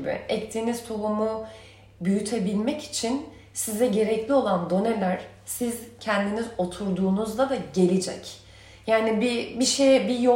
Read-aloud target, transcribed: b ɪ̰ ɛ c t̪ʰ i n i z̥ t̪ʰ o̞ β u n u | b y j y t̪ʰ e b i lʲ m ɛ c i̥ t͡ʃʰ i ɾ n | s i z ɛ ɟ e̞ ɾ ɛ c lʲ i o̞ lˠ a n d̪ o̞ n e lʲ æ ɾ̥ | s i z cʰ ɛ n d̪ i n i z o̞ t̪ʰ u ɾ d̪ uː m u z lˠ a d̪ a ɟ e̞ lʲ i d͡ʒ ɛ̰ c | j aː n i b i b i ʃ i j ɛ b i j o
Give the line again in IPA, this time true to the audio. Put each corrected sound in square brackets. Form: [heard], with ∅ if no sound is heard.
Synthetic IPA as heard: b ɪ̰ ɛ c t̪ʰ [iː] n i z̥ t̪ʰ o̞ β u [m] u | b y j y t̪ʰ e b i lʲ m ɛ c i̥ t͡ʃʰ i [∅] n | s i z ɛ ɟ e̞ ɾ ɛ c lʲ i o̞ lˠ a n d̪ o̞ n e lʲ æ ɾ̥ | s i z cʰ ɛ n d̪ i n i z o̞ t̪ʰ u ɾ d̪ uː [n] u z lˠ a d̪ a ɟ e̞ lʲ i d͡ʒ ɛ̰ c | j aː n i b i b i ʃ [e] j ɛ b i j o